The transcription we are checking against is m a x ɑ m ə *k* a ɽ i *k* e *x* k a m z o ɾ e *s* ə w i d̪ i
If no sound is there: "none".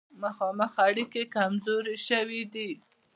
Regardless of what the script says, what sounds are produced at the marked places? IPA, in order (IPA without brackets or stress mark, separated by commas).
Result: x, k, none, ʃ